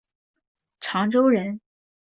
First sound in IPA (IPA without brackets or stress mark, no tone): ʈ͡ʂʰ